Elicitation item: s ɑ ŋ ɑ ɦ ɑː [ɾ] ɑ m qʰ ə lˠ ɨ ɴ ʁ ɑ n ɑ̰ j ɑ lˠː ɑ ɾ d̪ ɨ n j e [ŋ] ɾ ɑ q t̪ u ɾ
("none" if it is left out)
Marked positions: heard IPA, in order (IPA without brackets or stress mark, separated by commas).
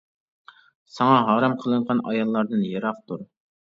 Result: ɾ, none